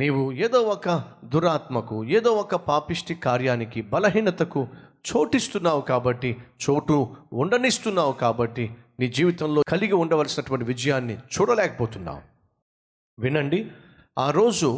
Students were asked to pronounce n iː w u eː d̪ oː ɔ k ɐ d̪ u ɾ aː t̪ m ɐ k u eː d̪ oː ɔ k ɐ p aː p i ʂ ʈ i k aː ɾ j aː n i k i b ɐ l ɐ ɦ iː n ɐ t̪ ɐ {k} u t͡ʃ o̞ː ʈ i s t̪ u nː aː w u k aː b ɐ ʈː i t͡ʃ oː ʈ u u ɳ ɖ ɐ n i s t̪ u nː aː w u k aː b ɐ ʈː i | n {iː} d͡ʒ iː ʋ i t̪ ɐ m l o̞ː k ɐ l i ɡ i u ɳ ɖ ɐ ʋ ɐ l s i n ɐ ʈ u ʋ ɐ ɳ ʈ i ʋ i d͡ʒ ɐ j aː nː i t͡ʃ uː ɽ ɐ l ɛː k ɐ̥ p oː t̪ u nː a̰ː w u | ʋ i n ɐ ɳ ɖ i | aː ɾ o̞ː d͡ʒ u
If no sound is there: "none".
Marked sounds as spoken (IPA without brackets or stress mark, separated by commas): k, iː